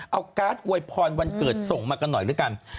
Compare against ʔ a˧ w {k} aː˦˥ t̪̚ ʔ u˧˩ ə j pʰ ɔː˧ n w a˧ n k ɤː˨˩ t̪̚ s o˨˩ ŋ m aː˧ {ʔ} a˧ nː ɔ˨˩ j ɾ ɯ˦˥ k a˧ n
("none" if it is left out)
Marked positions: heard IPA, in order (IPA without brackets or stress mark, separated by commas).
k, k